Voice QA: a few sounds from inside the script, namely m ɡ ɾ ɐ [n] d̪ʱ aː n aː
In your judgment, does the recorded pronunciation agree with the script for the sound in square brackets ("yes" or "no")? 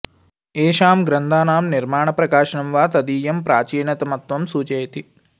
yes